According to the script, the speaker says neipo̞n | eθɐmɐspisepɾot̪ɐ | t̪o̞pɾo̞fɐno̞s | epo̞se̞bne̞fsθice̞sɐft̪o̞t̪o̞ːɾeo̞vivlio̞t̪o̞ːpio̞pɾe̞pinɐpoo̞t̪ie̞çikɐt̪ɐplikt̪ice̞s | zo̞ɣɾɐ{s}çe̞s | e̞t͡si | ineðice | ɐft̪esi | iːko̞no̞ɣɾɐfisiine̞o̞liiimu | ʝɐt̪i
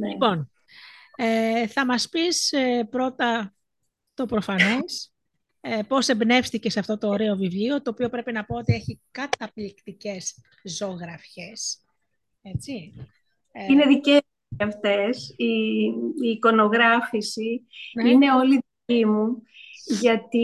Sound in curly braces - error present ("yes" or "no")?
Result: yes